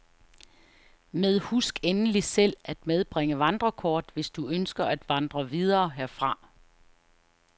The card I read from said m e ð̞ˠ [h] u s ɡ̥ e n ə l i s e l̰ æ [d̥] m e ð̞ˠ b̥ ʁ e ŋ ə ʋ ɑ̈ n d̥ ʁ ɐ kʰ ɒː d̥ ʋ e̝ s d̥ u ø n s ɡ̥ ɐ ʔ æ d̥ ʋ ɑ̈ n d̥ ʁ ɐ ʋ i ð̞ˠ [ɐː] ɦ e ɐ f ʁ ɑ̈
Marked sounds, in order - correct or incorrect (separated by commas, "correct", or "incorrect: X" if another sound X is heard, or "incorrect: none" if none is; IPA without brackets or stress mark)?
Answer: correct, correct, correct